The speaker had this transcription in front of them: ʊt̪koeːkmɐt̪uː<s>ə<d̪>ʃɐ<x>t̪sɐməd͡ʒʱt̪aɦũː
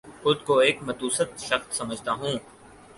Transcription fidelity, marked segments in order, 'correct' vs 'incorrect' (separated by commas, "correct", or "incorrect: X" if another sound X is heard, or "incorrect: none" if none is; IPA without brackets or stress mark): correct, incorrect: t̪, correct